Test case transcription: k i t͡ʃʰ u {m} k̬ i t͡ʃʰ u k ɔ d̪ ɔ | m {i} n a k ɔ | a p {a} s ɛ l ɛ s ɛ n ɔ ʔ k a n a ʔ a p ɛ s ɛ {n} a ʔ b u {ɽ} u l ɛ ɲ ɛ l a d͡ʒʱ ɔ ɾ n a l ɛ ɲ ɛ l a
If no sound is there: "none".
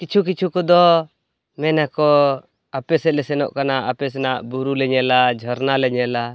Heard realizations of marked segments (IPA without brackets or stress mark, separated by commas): none, ɛ, ɛ, n, ɾ